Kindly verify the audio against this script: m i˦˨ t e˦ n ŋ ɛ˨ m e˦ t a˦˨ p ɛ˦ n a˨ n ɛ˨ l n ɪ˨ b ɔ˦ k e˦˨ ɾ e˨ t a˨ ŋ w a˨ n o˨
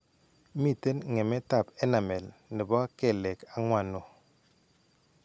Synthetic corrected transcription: m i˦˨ t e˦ n ŋ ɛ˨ m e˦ t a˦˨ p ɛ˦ n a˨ m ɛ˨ l n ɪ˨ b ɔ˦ k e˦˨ l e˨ k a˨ ŋ w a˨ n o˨